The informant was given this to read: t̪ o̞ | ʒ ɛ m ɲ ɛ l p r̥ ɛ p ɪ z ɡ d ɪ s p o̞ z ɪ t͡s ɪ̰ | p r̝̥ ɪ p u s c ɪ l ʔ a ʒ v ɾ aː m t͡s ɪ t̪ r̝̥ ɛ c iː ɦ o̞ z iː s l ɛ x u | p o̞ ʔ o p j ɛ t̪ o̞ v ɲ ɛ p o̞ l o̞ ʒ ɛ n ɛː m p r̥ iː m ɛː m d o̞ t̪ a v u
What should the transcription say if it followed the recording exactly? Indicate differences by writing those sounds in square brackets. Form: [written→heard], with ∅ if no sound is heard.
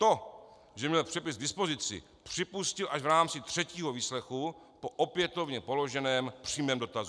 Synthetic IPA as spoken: t̪ o̞ | ʒ ɛ m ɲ ɛ l p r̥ ɛ p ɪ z ɡ d ɪ s p o̞ z ɪ t͡s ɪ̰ | p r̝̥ ɪ p u s c ɪ l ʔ a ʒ v ɾ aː m t͡s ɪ t̪ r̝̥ ɛ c iː ɦ o̞ [z→v] iː s l ɛ x u | p o̞ ʔ o p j ɛ t̪ o̞ v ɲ ɛ p o̞ l o̞ ʒ ɛ n ɛː m p r̥ iː m ɛː m d o̞ t̪ a [v→z] u